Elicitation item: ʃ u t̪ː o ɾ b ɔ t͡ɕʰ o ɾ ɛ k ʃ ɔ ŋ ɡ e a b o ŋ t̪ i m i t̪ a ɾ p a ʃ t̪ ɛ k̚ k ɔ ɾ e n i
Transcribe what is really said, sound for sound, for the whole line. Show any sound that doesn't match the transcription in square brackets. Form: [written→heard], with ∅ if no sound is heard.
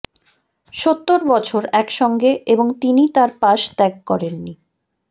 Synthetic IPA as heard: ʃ [u→o] t̪ː o ɾ b ɔ t͡ɕʰ o ɾ ɛ k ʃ ɔ ŋ ɡ e [a→e] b o ŋ t̪ i [m→n] i t̪ a ɾ p a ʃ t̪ ɛ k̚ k ɔ ɾ e [n→nː] i